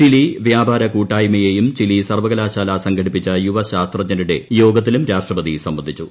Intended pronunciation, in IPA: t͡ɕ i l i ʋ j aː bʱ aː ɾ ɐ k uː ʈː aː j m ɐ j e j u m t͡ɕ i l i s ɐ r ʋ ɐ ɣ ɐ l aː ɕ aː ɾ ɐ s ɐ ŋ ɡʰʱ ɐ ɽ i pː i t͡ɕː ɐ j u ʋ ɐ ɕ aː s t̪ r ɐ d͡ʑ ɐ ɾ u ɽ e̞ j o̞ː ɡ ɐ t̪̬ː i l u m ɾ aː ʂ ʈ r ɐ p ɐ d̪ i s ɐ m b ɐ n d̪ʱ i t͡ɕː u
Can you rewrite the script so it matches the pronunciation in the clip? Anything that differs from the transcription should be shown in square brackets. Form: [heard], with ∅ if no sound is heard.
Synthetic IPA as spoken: t͡ɕ i l i ʋ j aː bʱ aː ɾ ɐ k uː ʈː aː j m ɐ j e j u m t͡ɕ i l i s ɐ r ʋ ɐ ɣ ɐ l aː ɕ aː [l] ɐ s ɐ ŋ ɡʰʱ ɐ ɽ i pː i t͡ɕː ɐ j u ʋ ɐ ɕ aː s t̪ r ɐ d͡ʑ ɐ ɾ u ɽ e̞ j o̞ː ɡ ɐ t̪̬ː i l u m ɾ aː ʂ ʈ r ɐ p ɐ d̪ i s ɐ m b ɐ n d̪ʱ i t͡ɕː u